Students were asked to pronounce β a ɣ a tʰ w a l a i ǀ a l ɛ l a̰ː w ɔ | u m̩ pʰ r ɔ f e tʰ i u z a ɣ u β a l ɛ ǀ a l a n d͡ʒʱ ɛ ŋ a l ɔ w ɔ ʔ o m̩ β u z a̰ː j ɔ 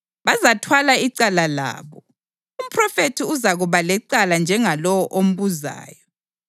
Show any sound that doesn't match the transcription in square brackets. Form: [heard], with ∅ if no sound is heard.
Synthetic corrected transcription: β a [z] a tʰ w a l a i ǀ a l [a] l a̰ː [β] ɔ | u m̩ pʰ r ɔ f e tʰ i u z a ɣ u β a l ɛ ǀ a l a n d͡ʒʱ ɛ ŋ a l ɔ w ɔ ʔ o m̩ β u z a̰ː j ɔ